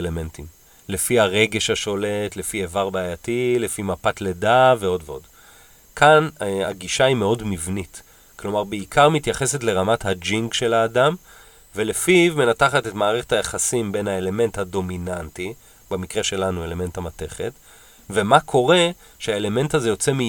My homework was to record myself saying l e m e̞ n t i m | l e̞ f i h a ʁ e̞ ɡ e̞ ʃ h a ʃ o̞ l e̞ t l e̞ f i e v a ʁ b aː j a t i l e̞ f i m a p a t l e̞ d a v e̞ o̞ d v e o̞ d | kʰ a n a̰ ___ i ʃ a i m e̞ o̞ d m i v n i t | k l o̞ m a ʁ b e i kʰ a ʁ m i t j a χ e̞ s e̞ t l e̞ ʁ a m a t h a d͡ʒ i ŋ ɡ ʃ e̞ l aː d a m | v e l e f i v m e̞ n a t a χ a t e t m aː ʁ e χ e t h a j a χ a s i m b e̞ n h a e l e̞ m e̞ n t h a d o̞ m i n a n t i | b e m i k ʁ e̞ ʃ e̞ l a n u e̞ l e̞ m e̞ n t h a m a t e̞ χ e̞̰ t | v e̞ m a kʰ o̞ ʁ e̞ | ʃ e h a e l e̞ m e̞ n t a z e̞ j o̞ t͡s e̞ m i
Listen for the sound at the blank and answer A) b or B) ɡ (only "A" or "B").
B